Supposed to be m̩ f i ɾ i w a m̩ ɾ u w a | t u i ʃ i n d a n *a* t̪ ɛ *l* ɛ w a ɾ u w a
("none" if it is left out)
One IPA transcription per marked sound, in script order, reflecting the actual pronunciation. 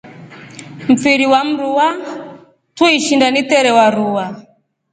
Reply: i, ɾ

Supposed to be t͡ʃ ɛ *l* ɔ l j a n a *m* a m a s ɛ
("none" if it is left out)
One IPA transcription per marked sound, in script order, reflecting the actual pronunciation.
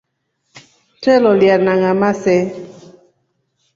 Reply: l, ŋ

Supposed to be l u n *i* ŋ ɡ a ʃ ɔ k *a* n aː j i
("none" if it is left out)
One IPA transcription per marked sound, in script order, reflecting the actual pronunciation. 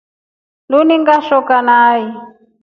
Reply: i, a

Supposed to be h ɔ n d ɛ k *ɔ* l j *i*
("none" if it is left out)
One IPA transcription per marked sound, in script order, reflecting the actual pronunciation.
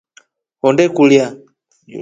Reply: u, a

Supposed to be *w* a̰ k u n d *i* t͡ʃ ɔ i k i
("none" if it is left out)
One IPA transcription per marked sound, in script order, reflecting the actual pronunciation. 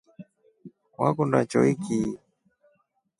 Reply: w, a

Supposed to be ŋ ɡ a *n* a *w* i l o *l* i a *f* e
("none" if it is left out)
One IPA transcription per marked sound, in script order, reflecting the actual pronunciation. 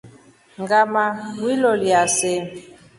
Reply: m, w, l, s

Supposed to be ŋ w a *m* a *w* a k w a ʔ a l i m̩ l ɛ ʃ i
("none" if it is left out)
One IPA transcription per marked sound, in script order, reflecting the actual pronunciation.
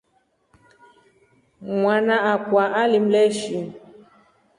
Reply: n, none

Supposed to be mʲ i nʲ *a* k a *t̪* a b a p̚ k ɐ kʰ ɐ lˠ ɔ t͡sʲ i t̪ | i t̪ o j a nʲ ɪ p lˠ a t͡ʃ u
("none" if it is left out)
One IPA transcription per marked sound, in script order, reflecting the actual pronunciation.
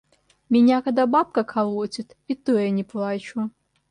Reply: a, d̪

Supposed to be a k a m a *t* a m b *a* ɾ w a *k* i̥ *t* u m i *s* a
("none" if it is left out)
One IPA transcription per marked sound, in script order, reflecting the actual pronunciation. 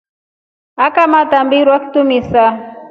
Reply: t, i, k, t, s

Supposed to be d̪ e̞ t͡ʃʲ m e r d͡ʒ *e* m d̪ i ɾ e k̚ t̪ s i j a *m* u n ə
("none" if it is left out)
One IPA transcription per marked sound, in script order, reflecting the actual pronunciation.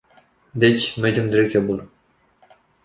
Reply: e, b

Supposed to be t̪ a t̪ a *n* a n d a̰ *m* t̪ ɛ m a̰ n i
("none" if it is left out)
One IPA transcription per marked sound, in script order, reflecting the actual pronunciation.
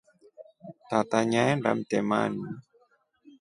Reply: ɲ, m

